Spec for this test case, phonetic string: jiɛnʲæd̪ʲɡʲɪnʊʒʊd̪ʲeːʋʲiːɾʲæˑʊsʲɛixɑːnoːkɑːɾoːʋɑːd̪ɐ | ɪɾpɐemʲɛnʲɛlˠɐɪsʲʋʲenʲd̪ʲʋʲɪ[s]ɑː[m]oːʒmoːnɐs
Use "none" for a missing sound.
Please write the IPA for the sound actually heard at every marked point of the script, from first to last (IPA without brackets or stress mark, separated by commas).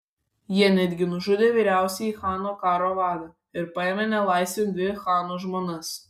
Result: x, n